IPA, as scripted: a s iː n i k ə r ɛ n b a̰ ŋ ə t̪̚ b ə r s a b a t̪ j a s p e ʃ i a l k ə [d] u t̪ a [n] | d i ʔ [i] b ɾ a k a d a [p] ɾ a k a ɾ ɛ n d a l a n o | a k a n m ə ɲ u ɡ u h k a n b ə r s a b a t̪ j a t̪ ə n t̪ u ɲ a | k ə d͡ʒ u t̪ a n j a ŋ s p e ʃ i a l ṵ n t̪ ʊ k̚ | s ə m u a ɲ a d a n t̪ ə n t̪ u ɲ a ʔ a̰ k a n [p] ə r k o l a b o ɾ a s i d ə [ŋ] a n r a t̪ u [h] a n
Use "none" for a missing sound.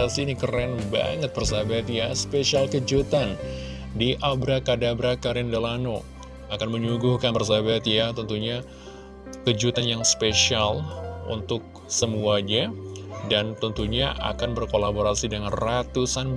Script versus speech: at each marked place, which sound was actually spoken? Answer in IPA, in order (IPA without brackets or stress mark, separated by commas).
d͡ʒ, n, a, b, b, ŋ, s